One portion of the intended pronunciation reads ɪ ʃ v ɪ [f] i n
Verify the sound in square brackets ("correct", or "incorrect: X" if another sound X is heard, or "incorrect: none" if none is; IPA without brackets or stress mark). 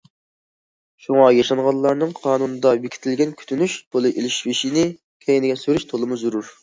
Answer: incorrect: ʃ